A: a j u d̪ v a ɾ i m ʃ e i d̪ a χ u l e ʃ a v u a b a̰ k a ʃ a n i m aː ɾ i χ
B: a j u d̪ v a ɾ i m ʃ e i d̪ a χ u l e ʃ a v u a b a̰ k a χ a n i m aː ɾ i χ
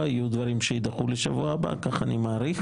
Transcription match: B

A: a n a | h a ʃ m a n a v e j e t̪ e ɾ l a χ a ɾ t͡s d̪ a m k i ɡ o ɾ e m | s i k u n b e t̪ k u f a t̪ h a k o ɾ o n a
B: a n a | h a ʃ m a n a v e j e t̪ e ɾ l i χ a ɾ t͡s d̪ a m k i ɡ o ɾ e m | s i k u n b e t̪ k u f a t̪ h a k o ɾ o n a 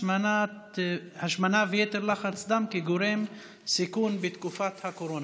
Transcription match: A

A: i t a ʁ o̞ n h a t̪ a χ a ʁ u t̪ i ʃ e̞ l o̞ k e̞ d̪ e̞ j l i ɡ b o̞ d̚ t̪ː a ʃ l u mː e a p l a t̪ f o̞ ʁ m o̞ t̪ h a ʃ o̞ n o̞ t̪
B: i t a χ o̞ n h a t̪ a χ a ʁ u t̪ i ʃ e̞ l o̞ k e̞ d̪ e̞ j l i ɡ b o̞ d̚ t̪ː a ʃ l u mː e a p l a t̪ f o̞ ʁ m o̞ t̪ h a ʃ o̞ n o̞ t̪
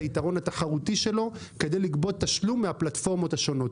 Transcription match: A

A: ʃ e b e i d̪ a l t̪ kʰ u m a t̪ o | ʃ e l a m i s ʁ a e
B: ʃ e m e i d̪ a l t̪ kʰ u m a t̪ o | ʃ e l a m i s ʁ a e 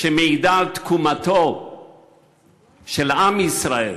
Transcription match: B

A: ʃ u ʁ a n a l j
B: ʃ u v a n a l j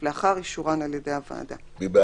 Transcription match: A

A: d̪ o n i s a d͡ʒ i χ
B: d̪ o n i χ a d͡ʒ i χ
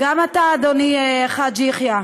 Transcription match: B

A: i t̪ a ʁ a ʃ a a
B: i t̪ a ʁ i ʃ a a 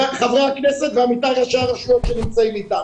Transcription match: A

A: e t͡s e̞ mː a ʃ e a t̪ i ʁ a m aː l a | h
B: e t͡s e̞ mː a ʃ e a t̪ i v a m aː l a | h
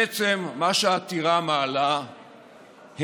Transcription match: A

